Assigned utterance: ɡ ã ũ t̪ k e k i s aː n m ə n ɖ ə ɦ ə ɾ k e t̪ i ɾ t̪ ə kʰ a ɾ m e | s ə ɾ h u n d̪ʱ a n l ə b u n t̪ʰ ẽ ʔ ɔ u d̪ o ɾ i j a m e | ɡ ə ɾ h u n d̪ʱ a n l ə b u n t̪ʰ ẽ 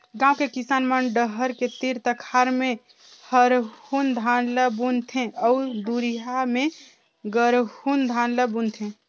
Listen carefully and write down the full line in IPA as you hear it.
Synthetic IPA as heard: ɡ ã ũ k e k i s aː n m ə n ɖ ə ɦ ə ɾ k e t̪ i ɾ t̪ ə kʰ a ɾ m e | h ə ɾ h u n d̪ʱ a n l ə b u n t̪ʰ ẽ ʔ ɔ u d̪ u ɾ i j a m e | ɡ ə ɾ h u n d̪ʱ a n l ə b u n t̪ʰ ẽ